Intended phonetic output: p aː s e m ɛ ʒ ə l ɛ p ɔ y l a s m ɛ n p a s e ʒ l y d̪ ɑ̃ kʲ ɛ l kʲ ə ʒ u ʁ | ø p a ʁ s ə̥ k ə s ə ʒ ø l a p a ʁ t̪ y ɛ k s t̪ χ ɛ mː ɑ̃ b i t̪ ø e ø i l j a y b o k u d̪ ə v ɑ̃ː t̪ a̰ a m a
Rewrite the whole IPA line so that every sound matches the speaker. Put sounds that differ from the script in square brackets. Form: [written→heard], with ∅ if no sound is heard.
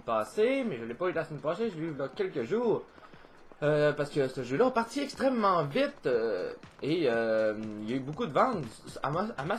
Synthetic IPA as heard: p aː s e m ɛ ʒ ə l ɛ p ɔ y l a s m ɛ n p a s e ʒ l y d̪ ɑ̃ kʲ ɛ l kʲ ə ʒ [u→uː] ʁ | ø p a ʁ s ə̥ k ə s ə ʒ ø l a p a ʁ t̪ [y→i] ɛ k s t̪ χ ɛ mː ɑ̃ [b→v] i t̪ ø e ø i l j a y b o k u d̪ ə v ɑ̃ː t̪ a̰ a m a